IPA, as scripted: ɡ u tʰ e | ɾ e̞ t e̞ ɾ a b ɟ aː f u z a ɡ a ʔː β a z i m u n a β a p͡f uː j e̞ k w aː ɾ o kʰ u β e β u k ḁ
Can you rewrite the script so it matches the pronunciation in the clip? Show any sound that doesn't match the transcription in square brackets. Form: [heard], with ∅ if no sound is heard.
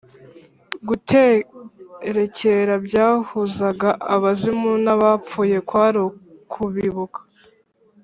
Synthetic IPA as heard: ɡ u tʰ e | ɾ e̞ [c] e̞ ɾ a b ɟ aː [h] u z a ɡ a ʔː β a z i m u n a β a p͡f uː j e̞ k w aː ɾ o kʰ u β [i] β u k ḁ